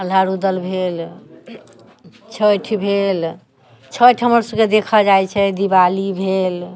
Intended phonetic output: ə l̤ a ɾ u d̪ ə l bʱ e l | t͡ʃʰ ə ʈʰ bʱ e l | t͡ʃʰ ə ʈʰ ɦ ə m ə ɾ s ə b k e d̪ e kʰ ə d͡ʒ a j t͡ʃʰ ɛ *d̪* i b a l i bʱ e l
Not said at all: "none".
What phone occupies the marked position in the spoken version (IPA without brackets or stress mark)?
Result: d̪